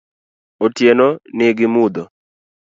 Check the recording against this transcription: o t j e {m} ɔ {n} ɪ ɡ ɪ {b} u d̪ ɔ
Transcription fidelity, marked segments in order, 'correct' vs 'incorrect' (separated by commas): incorrect, correct, incorrect